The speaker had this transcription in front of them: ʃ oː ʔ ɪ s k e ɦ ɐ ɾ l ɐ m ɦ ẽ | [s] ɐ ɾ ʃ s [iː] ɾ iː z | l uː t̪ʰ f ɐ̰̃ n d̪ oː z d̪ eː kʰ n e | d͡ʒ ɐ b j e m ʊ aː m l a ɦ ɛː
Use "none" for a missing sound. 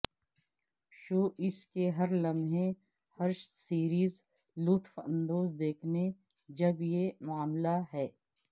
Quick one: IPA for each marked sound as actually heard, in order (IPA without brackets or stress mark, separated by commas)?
h, iː